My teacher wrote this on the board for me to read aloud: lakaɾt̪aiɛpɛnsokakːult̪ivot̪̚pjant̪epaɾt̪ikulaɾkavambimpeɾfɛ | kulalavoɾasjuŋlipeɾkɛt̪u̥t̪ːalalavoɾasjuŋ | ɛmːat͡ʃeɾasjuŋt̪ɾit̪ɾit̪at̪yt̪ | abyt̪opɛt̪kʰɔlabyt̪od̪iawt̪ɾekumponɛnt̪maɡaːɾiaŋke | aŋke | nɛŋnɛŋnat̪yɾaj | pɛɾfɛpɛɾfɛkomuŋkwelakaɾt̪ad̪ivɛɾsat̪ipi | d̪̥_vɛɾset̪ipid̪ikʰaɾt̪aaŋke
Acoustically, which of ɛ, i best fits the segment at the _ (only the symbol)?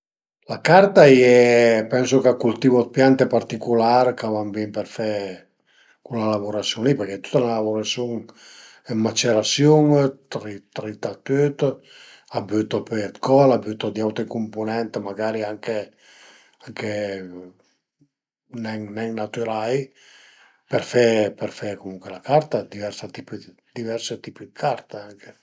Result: i